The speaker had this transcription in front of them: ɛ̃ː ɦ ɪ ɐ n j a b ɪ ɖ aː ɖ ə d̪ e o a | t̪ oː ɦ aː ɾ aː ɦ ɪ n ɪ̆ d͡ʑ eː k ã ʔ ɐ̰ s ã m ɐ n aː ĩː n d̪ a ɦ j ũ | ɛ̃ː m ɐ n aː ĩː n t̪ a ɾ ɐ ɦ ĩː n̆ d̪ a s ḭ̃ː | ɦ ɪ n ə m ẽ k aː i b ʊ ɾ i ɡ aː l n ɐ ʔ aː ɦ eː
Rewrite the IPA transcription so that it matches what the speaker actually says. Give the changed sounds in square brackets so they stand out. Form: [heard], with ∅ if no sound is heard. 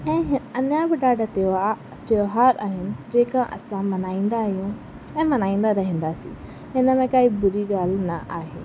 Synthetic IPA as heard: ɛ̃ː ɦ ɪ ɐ n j a b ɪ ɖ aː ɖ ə [t̪] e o a | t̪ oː ɦ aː ɾ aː ɦ ɪ n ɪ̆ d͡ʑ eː k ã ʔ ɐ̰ s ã m ɐ n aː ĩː n d̪ a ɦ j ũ | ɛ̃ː m ɐ n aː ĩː n [d̪] a ɾ ɐ ɦ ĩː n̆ d̪ a s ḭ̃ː | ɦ ɪ n ə m ẽ k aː i b ʊ ɾ i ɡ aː l n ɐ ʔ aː ɦ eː